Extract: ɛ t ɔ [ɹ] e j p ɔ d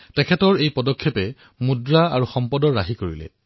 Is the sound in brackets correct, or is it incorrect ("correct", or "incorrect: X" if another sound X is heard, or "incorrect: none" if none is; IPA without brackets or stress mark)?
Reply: correct